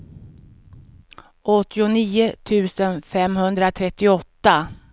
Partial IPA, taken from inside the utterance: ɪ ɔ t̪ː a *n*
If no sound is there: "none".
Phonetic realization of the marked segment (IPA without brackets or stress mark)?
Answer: none